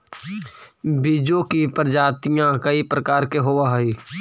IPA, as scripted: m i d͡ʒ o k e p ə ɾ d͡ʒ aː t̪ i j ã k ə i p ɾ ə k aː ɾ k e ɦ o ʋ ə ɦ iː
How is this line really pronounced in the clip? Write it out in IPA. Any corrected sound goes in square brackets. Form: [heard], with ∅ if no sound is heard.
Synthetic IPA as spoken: [b] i d͡ʒ o k [i] p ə ɾ d͡ʒ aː t̪ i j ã k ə i p ɾ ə k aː ɾ k e ɦ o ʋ [a] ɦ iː